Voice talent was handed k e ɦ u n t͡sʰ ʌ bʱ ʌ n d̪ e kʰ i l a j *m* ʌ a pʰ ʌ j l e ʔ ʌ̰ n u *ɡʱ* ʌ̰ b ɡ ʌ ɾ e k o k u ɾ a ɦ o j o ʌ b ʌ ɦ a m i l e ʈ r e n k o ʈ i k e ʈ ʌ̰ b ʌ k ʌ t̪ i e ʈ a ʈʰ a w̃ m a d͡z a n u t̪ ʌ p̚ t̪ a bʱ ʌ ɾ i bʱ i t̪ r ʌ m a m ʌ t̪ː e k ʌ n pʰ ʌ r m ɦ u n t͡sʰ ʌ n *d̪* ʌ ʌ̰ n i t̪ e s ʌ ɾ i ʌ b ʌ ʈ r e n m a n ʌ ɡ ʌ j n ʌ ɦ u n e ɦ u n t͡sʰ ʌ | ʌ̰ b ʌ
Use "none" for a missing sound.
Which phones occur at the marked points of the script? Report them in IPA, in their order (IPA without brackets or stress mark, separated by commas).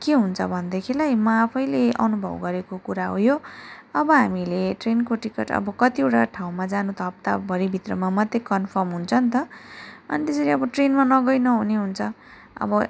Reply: m, bʱ, t̪